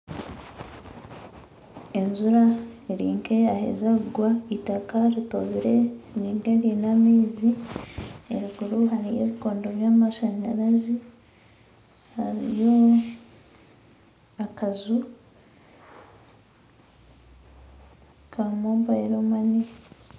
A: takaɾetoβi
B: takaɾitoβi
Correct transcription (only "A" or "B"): B